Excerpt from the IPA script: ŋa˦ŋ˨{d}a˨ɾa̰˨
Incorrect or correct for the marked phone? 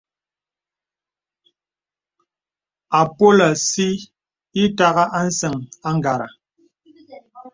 incorrect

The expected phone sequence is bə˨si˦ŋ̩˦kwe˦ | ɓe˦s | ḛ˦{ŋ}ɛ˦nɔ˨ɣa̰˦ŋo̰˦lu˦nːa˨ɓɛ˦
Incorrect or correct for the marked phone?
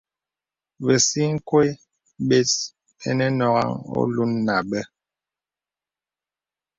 incorrect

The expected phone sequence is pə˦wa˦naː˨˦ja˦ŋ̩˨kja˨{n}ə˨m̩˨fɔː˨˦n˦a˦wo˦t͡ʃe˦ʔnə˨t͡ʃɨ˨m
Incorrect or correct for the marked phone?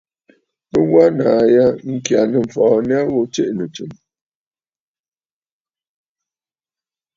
correct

